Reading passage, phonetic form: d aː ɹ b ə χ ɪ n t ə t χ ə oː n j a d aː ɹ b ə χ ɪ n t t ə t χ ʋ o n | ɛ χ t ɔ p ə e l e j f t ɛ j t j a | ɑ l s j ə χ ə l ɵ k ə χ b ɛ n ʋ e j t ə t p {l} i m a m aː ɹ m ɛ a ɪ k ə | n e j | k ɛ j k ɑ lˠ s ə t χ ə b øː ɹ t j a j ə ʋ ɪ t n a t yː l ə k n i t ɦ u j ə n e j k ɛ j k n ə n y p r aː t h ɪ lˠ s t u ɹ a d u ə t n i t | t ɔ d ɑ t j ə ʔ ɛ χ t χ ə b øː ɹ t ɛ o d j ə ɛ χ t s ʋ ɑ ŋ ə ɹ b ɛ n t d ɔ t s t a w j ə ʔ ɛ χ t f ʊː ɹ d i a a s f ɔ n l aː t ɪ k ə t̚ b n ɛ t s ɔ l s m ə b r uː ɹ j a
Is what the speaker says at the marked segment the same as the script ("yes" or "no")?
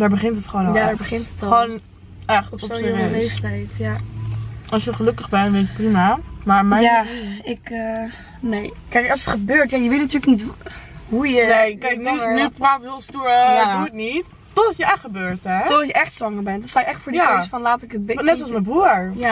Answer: no